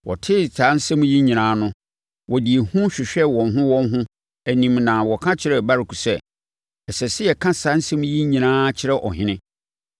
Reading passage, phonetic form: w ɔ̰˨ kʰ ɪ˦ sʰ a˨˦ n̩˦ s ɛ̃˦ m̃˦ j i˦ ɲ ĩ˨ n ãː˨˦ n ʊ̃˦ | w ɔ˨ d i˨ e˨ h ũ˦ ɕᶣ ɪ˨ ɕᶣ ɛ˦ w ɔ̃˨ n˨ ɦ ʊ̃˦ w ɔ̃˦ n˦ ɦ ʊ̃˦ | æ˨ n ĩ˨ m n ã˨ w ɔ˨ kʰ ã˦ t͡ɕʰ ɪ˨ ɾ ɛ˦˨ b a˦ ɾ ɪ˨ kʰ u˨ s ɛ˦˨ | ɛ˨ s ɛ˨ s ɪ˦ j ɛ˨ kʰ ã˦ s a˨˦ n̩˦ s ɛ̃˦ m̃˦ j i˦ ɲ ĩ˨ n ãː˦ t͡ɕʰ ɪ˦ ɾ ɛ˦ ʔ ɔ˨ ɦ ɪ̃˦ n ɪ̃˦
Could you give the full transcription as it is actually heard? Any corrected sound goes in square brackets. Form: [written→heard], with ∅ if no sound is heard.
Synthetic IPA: w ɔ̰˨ [kʰ→tʰ] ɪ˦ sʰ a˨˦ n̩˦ s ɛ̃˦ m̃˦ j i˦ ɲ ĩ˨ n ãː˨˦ n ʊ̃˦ | w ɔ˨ d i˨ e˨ h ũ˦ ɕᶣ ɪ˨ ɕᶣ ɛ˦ w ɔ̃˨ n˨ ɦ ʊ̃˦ w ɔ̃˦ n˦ ɦ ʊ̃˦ | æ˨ n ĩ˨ m n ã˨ w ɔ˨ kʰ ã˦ t͡ɕʰ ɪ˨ ɾ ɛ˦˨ b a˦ ɾ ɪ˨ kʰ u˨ s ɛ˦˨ | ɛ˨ s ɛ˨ s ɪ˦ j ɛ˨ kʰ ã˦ s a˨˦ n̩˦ s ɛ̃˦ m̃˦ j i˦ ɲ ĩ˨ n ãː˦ t͡ɕʰ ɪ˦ ɾ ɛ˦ ʔ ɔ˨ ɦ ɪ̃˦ n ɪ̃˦